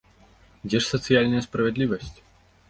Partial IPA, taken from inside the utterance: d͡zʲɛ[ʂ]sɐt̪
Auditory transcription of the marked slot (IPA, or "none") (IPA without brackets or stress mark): ʂ